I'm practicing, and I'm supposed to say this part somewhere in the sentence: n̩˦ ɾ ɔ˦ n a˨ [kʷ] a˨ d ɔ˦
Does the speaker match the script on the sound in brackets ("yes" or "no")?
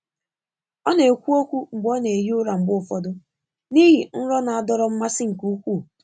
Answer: no